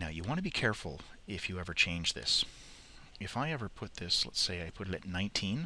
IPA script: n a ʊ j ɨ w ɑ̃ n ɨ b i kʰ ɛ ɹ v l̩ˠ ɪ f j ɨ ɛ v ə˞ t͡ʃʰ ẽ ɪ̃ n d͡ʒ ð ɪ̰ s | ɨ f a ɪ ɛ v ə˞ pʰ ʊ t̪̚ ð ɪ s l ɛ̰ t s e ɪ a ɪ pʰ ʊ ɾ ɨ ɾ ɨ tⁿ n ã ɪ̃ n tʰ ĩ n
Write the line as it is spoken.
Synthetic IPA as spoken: n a ʊ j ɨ w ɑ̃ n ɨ b i kʰ ɛ ɹ f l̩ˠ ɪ f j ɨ ɛ v ə˞ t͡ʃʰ ẽ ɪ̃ n d͡ʒ ð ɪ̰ s | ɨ f a ɪ ɛ v ə˞ pʰ ʊ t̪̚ ð ɪ s l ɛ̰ t s e ɪ a ɪ pʰ ʊ ɾ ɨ ɾ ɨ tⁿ n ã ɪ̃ n tʰ ĩ n